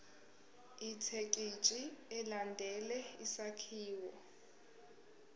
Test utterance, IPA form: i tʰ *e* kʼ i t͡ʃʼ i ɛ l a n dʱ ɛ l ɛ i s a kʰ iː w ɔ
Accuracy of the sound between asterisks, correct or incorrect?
correct